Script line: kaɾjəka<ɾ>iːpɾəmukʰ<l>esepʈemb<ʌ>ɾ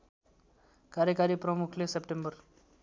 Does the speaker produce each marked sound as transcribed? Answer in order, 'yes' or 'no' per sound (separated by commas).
yes, yes, no